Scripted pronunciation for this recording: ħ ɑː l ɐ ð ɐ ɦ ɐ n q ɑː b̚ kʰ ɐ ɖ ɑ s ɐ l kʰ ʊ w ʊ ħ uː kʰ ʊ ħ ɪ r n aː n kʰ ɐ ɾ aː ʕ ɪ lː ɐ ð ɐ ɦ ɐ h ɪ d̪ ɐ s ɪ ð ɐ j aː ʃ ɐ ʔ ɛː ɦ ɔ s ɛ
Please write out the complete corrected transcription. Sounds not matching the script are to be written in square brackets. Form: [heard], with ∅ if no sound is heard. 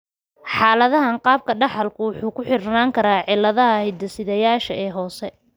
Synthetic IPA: ħ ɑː l ɐ ð ɐ ɦ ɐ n q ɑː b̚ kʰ ɐ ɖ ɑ [ħ] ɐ l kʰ ʊ w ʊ ħ uː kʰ ʊ ħ ɪ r n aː [ŋ] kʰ ɐ ɾ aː ʕ ɪ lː ɐ ð ɐ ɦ ɐ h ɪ d̪ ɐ s ɪ ð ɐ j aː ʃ ɐ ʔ ɛː ɦ [ɔː] s ɛ